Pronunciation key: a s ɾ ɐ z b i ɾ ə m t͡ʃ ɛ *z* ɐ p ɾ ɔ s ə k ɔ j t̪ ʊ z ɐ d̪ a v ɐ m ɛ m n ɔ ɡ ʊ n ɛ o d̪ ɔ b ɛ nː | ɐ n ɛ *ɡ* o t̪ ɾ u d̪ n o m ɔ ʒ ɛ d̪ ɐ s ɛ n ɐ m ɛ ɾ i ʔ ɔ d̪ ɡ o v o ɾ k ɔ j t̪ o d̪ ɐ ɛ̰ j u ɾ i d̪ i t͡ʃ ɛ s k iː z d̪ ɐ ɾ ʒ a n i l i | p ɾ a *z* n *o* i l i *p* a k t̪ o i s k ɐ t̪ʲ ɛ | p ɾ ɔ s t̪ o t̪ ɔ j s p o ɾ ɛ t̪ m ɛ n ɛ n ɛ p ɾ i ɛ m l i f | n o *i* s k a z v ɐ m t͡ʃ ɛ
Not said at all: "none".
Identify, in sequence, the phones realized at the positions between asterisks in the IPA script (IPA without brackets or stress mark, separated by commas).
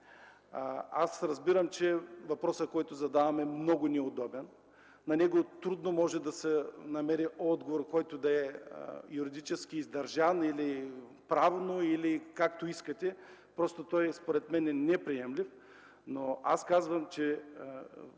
v, ɡ, v, o, k, a